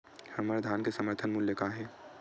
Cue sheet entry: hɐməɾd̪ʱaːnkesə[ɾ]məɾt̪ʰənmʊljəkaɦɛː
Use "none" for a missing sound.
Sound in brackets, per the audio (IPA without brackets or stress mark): none